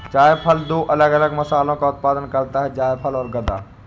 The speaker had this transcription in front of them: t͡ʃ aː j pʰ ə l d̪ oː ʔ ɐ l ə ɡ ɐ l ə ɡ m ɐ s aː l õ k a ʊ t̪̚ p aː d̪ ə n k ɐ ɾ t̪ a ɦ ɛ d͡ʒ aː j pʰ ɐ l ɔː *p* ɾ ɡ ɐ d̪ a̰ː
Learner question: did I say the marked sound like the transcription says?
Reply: no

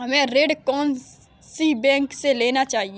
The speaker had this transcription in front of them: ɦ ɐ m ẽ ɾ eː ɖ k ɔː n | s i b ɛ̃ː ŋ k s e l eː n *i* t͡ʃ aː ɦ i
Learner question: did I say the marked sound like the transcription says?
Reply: no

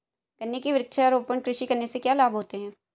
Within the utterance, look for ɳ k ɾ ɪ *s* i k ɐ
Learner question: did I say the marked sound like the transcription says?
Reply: no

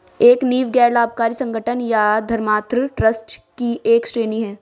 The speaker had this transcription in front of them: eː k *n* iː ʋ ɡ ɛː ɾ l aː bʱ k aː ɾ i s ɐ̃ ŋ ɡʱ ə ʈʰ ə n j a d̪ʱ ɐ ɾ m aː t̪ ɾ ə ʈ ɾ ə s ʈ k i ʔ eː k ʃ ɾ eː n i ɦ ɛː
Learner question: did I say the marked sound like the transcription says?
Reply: yes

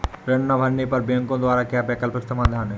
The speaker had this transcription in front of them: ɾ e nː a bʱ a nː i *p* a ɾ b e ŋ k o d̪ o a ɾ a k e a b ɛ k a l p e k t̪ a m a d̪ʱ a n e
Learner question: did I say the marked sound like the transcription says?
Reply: yes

